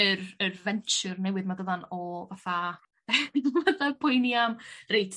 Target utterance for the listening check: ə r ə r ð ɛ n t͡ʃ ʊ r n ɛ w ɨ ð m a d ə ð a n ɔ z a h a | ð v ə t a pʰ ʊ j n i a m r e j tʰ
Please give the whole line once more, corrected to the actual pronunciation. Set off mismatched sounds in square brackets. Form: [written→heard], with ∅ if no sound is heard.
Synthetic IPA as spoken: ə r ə r [ð→v] ɛ n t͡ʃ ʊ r n ɛ w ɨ ð m a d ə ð a n ɔ [z→v] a [h→θ] a | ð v [ə→a] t a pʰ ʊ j n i a m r e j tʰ